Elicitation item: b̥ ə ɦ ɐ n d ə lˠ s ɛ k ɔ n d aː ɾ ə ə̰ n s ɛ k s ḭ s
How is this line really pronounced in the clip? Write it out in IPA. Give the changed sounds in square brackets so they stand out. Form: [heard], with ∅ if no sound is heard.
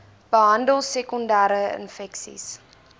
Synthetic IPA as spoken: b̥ ə ɦ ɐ n d ə lˠ s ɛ k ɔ n d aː ɾ ə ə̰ n [f] ɛ k s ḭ s